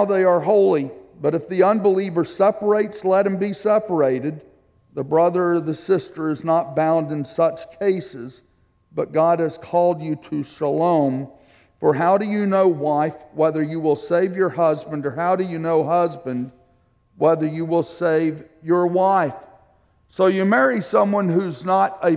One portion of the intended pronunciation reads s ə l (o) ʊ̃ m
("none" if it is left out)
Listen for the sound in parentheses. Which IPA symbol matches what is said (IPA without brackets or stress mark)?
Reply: õ